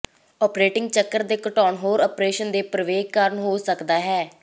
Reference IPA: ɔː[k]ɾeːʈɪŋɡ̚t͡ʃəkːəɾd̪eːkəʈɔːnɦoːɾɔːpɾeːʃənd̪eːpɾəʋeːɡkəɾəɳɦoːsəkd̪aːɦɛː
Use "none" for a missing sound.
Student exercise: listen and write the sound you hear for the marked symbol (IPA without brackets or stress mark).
p